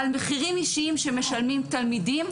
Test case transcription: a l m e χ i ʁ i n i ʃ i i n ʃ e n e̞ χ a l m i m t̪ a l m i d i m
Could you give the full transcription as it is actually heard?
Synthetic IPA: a l m e χ i ʁ i m i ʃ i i m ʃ e m e̞ ʃ a l m i m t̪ a l m i d i m